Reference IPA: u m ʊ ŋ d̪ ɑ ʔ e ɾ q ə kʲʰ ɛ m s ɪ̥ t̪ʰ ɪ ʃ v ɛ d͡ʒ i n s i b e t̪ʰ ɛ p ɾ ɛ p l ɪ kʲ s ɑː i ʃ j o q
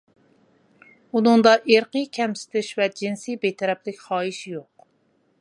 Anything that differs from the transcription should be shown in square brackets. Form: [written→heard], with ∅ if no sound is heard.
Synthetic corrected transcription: u [m→n] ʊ ŋ d̪ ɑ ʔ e ɾ q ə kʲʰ ɛ m s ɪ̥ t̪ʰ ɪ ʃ v ɛ d͡ʒ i n s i b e t̪ʰ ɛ [p→∅] ɾ ɛ p l ɪ kʲ [s→χ] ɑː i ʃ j o q